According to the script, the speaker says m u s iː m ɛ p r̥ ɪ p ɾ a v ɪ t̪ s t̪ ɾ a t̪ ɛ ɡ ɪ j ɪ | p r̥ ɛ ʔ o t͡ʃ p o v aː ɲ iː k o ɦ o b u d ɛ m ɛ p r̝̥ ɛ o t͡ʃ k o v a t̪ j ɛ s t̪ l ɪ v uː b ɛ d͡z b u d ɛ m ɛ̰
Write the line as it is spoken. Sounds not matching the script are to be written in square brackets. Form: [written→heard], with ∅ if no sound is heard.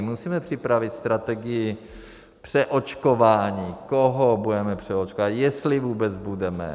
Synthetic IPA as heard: m u s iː m ɛ p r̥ ɪ p ɾ a v ɪ t̪ s t̪ ɾ a t̪ ɛ ɡ ɪ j ɪ | p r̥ ɛ ʔ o t͡ʃ [p→k] o v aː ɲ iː k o ɦ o b u d ɛ m ɛ p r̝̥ ɛ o t͡ʃ k o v a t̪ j ɛ s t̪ l ɪ v uː b ɛ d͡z b u d ɛ m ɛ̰